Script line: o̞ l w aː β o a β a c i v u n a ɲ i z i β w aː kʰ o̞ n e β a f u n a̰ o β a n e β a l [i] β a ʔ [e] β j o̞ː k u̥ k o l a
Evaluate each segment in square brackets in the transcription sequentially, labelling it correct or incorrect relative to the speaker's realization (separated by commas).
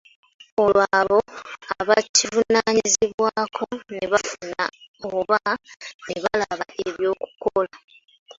incorrect, correct